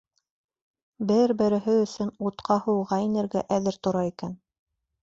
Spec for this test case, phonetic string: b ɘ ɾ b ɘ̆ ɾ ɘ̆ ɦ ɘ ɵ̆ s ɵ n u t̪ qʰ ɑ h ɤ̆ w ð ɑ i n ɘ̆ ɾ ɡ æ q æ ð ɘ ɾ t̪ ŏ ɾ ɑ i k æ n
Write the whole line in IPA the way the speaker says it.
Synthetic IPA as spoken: b ɘ ɾ b ɘ̆ ɾ ɘ̆ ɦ ɘ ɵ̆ s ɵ n u t̪ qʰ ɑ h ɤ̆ w ʁ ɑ i n ɘ̆ ɾ ɡ æ ʔ æ ð ɘ ɾ t̪ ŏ ɾ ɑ i k æ n